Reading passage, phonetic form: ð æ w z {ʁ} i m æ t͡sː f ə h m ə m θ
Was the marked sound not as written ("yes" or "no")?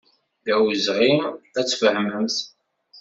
no